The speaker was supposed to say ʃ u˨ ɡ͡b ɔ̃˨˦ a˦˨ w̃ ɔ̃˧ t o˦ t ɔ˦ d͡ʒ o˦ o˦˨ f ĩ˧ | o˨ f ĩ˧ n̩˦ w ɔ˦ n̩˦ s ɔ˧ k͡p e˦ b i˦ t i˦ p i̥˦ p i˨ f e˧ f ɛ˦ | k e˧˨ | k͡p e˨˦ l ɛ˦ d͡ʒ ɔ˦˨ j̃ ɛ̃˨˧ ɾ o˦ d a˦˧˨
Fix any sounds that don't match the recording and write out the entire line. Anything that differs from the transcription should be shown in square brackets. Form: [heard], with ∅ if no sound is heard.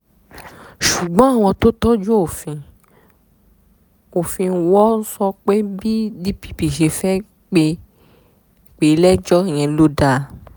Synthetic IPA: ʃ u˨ ɡ͡b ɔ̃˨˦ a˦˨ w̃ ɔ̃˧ t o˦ t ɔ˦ d͡ʒ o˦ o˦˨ f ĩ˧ | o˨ f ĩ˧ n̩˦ w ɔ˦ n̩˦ s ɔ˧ k͡p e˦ b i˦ [d] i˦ p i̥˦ p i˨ [ʃ] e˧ f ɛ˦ | [k͡p] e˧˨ | k͡p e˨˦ l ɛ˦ d͡ʒ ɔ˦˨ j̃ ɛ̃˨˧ [l] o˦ d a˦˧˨